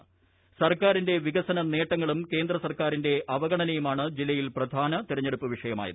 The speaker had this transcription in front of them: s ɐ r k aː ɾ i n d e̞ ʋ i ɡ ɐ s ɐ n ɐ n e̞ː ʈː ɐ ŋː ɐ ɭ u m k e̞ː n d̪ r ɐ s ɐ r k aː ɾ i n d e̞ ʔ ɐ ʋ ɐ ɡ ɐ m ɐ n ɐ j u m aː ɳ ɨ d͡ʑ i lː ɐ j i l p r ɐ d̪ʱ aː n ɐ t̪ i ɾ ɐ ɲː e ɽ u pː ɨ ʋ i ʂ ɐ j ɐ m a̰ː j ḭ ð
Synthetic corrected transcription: s ɐ r k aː ɾ i n d e̞ ʋ i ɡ ɐ s ɐ n ɐ n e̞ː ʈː ɐ ŋː ɐ ɭ u m k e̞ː n d̪ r ɐ s ɐ r k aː ɾ i n d e̞ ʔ ɐ ʋ ɐ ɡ ɐ ɳ ɐ n ɐ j u m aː ɳ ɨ d͡ʑ i lː ɐ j i l p r ɐ d̪ʱ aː n ɐ t̪ i ɾ ɐ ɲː e ɽ u pː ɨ ʋ i ʂ ɐ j ɐ m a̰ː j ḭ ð

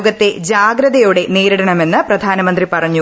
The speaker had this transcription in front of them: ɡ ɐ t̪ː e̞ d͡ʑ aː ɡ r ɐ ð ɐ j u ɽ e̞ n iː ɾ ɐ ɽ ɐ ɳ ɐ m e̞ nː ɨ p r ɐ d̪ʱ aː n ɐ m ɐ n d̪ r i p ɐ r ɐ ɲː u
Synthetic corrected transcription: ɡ ɐ t̪ː e̞ d͡ʑ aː ɡ ɾ ɐ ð ɐ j u ɽ e̞ n iː ɾ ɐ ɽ ɐ ɳ ɐ m e̞ nː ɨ p r ɐ d̪ʱ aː n ɐ m ɐ n d̪ r i p ɐ r ɐ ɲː u

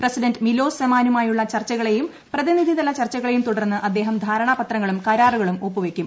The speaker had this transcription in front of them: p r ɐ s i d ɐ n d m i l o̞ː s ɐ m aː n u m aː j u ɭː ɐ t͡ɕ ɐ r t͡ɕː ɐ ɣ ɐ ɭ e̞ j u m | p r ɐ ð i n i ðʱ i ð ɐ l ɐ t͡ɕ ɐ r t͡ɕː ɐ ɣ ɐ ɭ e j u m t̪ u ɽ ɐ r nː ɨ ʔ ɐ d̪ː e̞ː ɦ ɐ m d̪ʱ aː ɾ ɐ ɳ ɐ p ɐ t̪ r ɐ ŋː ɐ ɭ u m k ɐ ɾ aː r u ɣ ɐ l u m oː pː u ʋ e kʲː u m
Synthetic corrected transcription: p r ɐ s i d ɐ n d m i l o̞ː s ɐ m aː n u m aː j u ɭː ɐ t͡ɕ ɐ r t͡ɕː ɐ ɣ ɐ ɭ e̞ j u m | p r ɐ ð i n i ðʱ i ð ɐ l ɐ t͡ɕ ɐ r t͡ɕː ɐ ɣ ɐ ɭ e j u m t̪ u ɽ ɐ r nː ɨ ʔ ɐ d̪ː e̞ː ɦ ɐ m d̪ʱ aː ɾ ɐ ɳ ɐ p ɐ t̪ r ɐ ŋː ɐ ɭ u m k ɐ ɾ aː r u ɣ ɐ ɭ u m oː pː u ʋ e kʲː u m

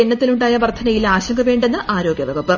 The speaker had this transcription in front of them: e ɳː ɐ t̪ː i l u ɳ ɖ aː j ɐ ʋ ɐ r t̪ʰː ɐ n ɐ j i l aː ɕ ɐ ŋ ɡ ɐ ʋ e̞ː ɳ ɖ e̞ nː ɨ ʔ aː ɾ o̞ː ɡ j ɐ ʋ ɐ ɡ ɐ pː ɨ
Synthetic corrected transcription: e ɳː ɐ t̪ː i l u ɳ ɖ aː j ɐ ʋ ɐ r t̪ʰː ɐ n ɐ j i l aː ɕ ɐ ŋ ɡ ɐ ʋ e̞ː ɳ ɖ e̞ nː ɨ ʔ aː ɾ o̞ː ɡ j ɐ ʋ ɐ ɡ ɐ pː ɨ

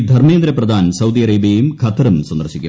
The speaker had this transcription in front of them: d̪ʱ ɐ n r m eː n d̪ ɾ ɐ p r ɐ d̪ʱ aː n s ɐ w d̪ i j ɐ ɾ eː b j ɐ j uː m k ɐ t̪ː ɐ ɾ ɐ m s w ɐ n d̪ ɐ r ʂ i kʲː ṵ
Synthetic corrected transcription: d̪ʱ ɐ r m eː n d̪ ɾ ɐ p r ɐ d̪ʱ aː n s ɐ w d̪ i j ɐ ɾ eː b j ɐ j u m kʰ ɐ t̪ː ɐ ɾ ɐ m s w ɐ n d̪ ɐ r ɕ i kʲː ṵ

